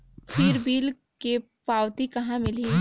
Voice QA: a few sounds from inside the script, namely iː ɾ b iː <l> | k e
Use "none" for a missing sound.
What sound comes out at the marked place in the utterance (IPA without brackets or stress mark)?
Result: l